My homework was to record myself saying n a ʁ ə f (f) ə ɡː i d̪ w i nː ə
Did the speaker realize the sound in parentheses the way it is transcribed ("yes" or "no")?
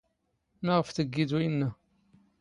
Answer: no